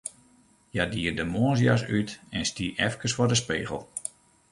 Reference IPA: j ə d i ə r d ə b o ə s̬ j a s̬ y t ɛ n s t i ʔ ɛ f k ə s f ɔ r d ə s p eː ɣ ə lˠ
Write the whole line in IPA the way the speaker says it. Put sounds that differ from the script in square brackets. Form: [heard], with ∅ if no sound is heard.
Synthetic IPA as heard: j [a] d i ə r d ə [m] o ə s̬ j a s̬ y t ɛ n s t i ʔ ɛ f k ə s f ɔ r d ə s p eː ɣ ə lˠ